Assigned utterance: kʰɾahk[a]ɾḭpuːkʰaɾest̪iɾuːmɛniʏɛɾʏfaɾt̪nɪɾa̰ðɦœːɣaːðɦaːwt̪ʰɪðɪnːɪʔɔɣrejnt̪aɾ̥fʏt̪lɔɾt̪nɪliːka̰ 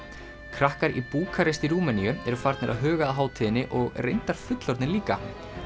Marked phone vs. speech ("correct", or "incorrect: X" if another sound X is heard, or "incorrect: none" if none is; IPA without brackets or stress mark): correct